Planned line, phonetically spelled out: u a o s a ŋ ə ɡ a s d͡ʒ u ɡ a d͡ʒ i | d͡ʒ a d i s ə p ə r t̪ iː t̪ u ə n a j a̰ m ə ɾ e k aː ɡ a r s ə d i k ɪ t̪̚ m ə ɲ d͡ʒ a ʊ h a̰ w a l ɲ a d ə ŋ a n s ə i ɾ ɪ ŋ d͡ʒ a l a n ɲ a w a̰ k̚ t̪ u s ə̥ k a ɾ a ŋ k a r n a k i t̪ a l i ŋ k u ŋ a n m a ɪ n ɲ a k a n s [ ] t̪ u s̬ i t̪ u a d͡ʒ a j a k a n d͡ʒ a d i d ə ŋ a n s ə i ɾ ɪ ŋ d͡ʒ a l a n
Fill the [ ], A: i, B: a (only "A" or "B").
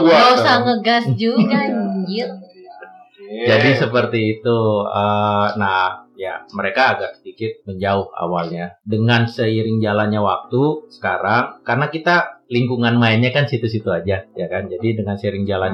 A